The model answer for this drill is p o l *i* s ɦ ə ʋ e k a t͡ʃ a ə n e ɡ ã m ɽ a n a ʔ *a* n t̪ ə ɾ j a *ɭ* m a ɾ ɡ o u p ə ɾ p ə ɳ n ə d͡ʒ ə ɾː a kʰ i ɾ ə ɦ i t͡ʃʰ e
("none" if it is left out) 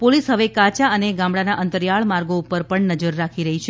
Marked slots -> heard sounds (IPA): i, ə, ɭ

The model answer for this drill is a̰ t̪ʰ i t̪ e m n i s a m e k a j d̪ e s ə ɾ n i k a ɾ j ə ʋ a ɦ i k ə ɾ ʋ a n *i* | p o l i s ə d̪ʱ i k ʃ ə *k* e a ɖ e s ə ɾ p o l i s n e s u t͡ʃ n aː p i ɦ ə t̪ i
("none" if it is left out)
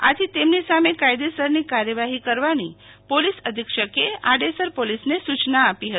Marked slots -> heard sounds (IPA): i, k

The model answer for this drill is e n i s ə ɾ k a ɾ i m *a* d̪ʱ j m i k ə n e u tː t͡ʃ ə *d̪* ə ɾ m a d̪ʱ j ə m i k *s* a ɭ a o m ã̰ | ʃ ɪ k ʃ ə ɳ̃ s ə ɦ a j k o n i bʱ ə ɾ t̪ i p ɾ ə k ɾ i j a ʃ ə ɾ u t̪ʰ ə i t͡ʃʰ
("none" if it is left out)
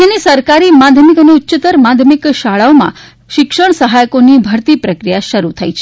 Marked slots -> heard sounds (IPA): a, t̪, ʃ

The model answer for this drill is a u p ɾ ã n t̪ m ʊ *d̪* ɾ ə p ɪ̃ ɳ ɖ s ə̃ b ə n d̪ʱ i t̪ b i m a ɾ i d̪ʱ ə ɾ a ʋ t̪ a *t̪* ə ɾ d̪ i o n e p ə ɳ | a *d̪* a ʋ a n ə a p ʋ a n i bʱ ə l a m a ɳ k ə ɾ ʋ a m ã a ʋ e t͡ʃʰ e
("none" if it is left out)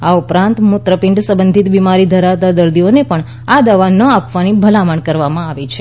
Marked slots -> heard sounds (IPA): t̪, d̪, d̪

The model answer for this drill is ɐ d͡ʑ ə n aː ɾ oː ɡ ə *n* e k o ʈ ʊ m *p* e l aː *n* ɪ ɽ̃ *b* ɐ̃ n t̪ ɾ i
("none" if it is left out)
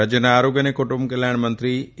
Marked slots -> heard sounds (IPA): n, k, none, m

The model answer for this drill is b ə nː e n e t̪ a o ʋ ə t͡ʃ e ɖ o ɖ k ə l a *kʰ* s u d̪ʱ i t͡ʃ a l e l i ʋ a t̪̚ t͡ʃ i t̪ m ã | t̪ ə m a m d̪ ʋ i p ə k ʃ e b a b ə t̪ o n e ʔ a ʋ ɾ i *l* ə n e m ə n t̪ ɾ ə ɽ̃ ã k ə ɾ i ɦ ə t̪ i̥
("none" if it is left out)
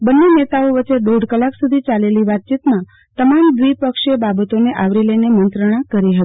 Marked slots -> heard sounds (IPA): k, l

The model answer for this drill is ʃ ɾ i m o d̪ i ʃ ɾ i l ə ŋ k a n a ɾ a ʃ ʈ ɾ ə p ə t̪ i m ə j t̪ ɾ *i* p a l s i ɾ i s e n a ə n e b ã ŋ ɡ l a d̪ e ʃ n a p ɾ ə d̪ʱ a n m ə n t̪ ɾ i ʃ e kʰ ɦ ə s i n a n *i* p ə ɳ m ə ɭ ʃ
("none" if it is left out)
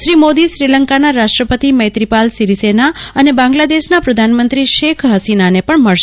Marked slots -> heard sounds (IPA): i, e

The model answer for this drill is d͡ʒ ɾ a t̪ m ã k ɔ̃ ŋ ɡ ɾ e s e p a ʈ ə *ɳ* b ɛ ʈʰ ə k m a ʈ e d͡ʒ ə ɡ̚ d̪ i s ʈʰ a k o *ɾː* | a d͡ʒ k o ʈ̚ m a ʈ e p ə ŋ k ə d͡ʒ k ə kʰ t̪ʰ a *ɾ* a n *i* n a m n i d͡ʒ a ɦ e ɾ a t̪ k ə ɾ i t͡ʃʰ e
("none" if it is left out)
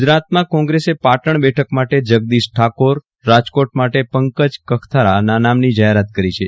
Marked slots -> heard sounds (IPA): ɳ, ɾː, ɾ, a

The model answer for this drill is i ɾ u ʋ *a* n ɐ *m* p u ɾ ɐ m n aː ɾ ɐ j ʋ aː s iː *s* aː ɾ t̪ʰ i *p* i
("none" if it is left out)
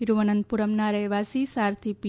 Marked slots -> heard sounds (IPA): ɐ, n, s, p

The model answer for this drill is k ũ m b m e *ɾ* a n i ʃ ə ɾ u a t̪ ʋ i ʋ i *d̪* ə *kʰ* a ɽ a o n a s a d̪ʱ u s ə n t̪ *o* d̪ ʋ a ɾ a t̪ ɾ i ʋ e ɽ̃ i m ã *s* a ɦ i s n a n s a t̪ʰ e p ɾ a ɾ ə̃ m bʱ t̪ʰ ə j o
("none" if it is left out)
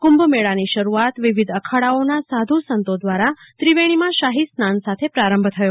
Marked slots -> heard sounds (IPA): ɭ, d̪, kʰ, o, ʃ

